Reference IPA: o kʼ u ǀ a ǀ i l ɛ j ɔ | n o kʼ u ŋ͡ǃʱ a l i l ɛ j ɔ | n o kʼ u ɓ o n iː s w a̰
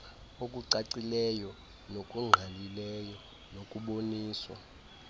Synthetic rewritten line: o kʼ u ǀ a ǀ i l ɛ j ɔ | n o kʼ u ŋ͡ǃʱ a l i l ɛ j ɔ | n o kʼ u ɓ o n iː s w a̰